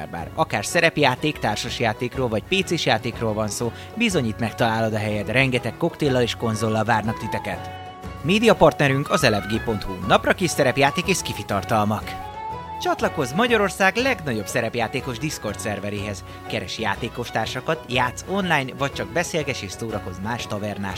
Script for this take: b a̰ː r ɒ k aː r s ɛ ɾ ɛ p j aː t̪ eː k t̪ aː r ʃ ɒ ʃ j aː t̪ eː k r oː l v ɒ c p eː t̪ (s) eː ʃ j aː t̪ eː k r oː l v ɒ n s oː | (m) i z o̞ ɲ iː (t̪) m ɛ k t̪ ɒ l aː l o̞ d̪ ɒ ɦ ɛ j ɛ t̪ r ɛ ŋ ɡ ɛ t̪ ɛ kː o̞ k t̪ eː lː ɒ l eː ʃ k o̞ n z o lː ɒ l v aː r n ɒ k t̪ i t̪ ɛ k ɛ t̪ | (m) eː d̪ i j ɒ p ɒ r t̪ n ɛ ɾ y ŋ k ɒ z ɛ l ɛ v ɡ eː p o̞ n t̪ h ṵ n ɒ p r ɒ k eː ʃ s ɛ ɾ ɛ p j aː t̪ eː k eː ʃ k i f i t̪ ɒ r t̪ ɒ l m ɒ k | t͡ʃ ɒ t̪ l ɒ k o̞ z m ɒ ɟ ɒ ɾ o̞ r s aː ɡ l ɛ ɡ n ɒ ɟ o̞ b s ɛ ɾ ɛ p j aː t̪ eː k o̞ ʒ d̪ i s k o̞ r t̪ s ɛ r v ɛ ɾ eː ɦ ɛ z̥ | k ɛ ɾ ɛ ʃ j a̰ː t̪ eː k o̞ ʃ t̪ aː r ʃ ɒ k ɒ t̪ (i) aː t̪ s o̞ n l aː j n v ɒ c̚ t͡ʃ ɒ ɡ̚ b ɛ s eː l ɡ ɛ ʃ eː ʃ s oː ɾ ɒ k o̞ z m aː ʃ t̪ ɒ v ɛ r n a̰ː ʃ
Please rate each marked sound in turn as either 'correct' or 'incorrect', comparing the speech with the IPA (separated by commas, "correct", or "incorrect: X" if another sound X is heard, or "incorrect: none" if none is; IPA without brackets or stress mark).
correct, incorrect: b, correct, correct, incorrect: j